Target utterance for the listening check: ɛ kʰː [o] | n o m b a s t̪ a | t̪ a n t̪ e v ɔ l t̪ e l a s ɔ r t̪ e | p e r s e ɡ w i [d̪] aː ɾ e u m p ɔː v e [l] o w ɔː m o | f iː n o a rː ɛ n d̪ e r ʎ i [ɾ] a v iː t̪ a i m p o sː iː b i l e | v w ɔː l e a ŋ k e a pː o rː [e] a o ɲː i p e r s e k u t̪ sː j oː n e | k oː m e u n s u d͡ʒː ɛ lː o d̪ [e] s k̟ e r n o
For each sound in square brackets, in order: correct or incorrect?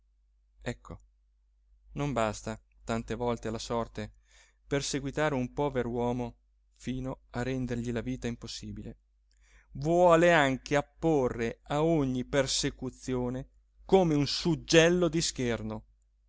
correct, incorrect: t̪, incorrect: ɾ, incorrect: l, correct, incorrect: i

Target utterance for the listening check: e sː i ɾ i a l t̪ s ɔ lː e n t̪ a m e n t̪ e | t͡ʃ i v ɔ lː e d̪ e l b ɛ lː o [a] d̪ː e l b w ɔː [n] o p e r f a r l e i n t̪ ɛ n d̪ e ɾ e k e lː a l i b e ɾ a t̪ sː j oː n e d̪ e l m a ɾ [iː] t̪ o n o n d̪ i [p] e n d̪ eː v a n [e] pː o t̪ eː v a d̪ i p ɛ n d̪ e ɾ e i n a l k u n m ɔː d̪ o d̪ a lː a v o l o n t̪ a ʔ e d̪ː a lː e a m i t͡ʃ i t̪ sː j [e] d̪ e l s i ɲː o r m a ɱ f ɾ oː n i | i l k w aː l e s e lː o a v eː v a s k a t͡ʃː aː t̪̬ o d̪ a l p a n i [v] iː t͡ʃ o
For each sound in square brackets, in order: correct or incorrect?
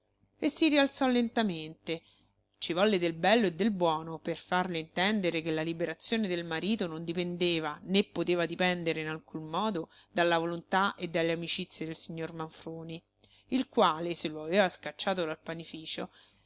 incorrect: e, correct, correct, correct, correct, correct, incorrect: f

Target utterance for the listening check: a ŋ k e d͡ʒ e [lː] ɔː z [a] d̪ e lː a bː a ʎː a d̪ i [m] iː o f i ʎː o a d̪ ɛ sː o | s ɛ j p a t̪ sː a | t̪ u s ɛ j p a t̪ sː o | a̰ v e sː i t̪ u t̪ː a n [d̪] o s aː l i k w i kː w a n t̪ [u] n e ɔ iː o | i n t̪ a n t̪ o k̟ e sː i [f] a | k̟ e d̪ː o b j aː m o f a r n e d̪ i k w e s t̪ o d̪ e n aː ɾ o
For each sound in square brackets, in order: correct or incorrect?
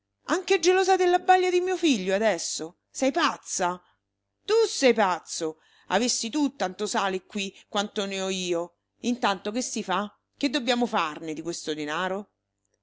incorrect: l, correct, correct, incorrect: t̪, incorrect: o, correct

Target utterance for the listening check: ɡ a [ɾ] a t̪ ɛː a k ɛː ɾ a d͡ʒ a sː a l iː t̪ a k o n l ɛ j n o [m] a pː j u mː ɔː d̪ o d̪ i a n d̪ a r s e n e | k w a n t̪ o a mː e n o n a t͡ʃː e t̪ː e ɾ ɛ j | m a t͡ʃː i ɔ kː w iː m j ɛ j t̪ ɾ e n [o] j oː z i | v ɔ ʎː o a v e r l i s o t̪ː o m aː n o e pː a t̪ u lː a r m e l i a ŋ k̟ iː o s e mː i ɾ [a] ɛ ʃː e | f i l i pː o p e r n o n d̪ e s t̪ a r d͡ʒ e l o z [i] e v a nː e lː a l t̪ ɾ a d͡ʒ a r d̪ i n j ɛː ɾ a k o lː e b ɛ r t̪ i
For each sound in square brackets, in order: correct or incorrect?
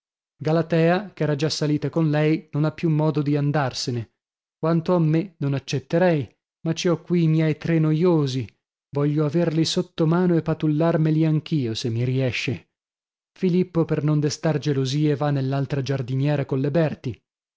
incorrect: l, incorrect: n, correct, incorrect: i, incorrect: iː

